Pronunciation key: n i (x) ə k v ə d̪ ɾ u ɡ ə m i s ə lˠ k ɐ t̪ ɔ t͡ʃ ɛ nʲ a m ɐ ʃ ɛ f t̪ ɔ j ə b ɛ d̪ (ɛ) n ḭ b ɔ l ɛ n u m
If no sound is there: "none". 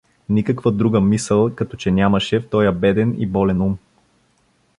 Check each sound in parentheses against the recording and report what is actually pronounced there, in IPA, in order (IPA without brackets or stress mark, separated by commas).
k, ɛ